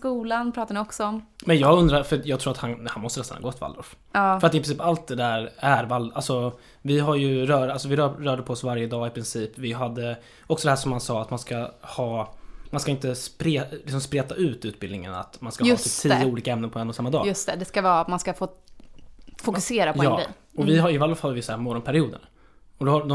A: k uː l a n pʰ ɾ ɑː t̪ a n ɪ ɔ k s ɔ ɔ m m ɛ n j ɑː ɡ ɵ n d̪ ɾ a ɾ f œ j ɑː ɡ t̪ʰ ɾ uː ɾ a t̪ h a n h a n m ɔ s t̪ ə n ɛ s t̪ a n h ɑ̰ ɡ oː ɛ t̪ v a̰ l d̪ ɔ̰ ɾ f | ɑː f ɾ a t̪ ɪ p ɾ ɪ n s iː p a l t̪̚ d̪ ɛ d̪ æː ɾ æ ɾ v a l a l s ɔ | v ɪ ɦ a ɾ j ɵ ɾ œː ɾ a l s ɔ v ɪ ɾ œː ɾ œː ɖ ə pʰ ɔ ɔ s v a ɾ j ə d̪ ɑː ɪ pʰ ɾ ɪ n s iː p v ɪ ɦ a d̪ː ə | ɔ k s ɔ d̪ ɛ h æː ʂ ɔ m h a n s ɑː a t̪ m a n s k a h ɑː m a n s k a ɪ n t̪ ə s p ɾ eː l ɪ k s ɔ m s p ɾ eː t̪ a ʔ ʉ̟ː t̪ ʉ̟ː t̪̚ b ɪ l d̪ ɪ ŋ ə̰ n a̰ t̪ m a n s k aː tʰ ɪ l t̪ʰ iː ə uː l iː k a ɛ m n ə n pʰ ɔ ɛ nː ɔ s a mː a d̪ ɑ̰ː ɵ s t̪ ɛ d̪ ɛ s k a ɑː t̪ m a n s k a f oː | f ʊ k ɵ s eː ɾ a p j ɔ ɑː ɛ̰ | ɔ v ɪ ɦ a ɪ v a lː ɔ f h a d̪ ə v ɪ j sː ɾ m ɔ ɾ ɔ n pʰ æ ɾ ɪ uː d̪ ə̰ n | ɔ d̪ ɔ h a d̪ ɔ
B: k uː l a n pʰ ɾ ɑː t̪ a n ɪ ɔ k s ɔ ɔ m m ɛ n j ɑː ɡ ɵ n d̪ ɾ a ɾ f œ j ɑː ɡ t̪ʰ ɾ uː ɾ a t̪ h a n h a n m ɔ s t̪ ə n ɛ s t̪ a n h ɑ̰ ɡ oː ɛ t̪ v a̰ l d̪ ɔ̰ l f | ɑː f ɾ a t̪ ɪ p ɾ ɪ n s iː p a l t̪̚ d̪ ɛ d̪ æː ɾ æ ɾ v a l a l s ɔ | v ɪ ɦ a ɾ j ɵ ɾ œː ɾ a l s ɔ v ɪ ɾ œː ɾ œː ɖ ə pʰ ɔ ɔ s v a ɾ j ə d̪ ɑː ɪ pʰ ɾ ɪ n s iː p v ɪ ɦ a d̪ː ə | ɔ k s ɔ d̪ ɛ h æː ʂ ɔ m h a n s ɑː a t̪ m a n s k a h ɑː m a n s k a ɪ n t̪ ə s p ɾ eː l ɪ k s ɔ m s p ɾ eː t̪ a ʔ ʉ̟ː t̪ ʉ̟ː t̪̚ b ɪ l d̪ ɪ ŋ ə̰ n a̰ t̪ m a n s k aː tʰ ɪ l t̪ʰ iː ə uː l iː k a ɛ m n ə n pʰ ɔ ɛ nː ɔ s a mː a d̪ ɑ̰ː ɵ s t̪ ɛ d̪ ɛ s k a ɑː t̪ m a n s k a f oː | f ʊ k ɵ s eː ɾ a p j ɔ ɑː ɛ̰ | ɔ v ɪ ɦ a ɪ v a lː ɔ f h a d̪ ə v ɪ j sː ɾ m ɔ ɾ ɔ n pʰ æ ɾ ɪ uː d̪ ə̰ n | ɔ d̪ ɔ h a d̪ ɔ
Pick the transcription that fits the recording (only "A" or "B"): A